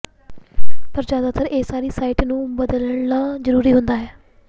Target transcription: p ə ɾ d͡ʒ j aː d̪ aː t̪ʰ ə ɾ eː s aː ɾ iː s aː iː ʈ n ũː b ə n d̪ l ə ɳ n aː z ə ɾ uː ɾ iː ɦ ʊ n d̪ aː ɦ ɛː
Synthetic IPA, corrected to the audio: p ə ɾ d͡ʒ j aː d̪ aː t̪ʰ ə ɾ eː s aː ɾ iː s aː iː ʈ n ũː b ə d̪ l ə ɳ n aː z ə ɾ uː ɾ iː ɦ ʊ n d̪ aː ɦ ɛː